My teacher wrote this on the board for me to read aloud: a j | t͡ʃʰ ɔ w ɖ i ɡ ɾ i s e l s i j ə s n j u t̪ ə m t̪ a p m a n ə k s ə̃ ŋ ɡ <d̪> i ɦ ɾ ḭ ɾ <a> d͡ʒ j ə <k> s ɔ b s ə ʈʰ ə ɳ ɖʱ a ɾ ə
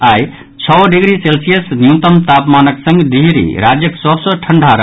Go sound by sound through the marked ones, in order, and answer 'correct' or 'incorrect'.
correct, correct, correct

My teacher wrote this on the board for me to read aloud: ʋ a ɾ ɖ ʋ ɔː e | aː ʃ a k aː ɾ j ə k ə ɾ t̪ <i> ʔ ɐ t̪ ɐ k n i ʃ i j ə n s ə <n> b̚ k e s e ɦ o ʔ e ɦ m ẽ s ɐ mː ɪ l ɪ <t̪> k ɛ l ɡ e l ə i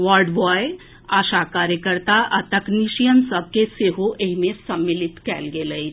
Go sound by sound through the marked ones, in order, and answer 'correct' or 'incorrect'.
incorrect, incorrect, correct

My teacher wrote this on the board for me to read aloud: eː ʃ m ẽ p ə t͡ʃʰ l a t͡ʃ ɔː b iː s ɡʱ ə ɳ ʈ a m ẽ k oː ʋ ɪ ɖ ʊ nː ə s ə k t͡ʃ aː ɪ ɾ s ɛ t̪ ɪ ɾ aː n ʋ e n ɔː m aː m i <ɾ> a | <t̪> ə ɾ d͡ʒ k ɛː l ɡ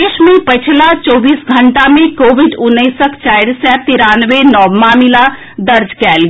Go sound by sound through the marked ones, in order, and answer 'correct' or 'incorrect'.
incorrect, incorrect

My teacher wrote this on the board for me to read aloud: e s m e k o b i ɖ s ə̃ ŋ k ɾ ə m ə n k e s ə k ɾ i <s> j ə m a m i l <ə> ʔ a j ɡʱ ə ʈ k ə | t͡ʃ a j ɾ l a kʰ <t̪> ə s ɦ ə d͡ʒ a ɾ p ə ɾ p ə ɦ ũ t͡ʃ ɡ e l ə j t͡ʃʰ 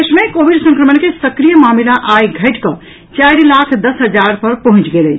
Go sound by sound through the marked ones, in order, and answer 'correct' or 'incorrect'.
incorrect, incorrect, incorrect

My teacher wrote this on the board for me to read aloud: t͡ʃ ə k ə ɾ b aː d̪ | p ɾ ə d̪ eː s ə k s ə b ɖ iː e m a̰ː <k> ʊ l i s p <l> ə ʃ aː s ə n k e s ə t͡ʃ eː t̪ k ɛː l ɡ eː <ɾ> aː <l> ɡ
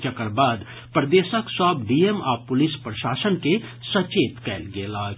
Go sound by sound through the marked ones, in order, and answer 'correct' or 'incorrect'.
incorrect, incorrect, incorrect, incorrect

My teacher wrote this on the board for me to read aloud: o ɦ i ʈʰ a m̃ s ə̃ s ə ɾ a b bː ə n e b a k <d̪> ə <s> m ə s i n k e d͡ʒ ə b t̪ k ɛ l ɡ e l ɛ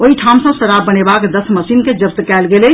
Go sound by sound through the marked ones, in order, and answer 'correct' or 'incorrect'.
correct, correct

